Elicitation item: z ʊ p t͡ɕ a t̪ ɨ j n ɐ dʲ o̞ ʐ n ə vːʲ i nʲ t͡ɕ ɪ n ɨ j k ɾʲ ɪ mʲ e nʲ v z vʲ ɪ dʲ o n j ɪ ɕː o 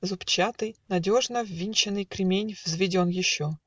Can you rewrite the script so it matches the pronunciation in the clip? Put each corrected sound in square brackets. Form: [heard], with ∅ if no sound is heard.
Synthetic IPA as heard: z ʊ p t͡ɕ a t̪ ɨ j n ɐ dʲ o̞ ʐ n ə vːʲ i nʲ t͡ɕ ɪ n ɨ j k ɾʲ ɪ mʲ e nʲ v z vʲ ɪ dʲ o n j ɪ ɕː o